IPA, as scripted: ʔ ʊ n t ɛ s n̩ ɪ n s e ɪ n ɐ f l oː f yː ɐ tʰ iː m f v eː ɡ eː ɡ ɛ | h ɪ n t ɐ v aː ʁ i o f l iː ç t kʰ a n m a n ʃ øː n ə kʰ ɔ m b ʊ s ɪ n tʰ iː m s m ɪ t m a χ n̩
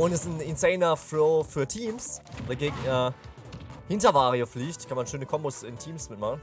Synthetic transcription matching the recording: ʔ ʊ n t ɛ s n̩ ɪ n s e ɪ n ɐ f l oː f yː ɐ tʰ iː m s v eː ɡ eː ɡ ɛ | h ɪ n t ɐ v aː ʁ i o f l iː ç t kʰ a n m a n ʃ øː n ə kʰ ɔ m b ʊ s ɪ n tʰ iː m s m ɪ t m a χ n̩

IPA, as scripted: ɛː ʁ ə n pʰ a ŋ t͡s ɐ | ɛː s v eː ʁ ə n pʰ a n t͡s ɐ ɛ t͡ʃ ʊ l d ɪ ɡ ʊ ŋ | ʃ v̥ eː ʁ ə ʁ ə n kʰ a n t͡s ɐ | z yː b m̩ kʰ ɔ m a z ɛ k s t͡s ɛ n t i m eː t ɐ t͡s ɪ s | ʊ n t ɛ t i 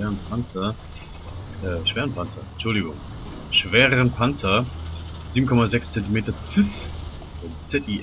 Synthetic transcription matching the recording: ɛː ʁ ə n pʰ a n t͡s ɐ | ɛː ʃ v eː ʁ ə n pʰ a n t͡s ɐ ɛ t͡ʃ ʊ l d ɪ ɡ ʊ ŋ | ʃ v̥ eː ʁ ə ʁ ə n pʰ a n t͡s ɐ | z iː b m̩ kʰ ɔ m a z ɛ k s t͡s ɛ n t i m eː t ɐ t͡s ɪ s | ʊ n t͡s ɛ t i

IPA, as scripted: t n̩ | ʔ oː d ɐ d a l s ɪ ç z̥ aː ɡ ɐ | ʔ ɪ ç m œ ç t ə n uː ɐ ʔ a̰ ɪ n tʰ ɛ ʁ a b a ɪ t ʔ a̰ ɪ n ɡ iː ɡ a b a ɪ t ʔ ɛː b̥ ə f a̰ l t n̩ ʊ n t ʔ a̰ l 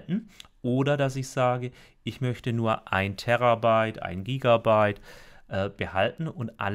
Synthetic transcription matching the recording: t n̩ | ʔ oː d ɐ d a s ɪ ç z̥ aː ɡ ə | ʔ ɪ ç m œ ç t ə n uː ɐ ʔ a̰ ɪ n tʰ ɛ ʁ a b a ɪ t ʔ a̰ ɪ n ɡ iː ɡ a b a ɪ t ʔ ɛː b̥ ə h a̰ l t n̩ ʊ n t ʔ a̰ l

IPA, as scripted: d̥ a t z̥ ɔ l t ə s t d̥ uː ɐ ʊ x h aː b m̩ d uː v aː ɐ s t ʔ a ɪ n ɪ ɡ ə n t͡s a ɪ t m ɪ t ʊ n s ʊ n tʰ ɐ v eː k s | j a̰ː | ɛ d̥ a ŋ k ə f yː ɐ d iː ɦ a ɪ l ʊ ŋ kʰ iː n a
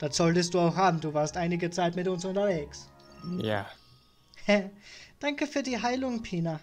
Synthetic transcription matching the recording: d̥ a t z̥ ɔ l t ə s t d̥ uː a ʊ x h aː b m̩ d uː v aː ɐ s t ʔ a ɪ n ɪ ɡ ə t͡s a ɪ t m ɪ t ʊ n s ʊ n t ɐ v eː k s | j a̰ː | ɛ d̥ a ŋ k ə f yː ɐ d iː ɦ a ɪ l ʊ ŋ pʰ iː n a

